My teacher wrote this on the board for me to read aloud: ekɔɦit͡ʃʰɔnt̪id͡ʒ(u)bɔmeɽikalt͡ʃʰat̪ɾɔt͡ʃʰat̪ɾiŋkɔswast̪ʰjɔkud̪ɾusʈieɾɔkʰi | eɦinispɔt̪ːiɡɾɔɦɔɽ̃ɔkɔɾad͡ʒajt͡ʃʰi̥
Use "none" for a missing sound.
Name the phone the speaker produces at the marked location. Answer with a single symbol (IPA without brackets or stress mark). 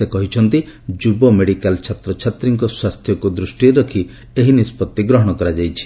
u